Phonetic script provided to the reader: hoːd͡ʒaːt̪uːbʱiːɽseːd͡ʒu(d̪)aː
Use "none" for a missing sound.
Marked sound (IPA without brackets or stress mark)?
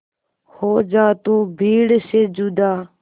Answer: d̪